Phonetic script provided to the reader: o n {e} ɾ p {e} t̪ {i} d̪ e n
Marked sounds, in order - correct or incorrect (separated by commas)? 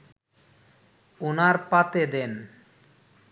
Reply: incorrect, incorrect, incorrect